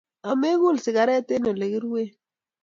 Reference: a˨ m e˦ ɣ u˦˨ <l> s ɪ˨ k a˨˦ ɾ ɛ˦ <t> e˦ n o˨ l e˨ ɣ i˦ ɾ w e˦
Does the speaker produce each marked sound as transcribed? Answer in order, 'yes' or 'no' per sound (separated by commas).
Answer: yes, yes